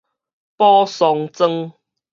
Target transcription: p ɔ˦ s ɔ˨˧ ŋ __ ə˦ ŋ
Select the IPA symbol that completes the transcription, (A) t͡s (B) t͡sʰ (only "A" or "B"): A